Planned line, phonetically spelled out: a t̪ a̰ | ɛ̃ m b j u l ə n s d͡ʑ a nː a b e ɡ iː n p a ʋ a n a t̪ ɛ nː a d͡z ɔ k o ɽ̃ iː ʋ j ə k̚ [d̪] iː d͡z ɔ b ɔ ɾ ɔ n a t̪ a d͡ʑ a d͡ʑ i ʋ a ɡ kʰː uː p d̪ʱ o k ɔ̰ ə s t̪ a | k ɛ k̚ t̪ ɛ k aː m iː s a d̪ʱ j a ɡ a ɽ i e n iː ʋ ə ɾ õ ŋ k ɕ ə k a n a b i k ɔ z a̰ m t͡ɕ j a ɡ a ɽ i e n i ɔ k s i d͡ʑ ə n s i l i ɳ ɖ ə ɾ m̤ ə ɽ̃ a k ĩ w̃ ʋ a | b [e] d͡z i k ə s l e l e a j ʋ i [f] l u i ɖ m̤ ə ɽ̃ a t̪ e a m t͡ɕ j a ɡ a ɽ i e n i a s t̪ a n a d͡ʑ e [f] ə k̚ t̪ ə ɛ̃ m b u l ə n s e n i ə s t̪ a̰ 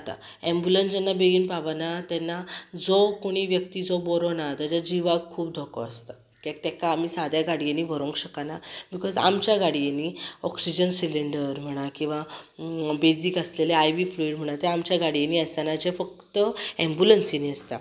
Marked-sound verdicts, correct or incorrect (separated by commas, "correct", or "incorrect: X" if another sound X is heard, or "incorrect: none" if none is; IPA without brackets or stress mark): incorrect: t̪, correct, correct, correct